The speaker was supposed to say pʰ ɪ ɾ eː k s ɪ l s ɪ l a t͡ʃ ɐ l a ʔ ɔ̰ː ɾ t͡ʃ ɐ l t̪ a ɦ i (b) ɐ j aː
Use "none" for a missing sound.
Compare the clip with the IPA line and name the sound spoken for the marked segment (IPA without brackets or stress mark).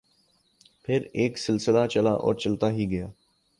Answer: ɡ